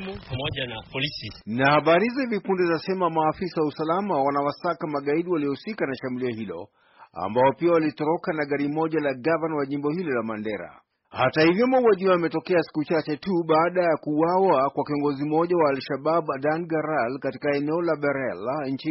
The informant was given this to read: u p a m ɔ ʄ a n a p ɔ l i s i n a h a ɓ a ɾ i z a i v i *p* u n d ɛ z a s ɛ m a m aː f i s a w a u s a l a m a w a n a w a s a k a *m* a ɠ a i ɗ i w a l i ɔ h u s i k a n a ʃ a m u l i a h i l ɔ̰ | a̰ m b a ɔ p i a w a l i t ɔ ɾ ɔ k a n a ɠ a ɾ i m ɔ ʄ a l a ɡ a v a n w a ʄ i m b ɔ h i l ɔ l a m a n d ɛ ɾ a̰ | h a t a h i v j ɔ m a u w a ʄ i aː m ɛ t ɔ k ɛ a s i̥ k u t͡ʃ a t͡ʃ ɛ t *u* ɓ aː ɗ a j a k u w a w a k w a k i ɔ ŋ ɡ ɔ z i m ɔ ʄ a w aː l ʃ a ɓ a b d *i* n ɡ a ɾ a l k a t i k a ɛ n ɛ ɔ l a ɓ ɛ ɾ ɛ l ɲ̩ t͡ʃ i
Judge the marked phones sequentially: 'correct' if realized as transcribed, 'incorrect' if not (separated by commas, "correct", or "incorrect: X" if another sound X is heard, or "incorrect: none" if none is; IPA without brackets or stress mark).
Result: correct, correct, correct, incorrect: a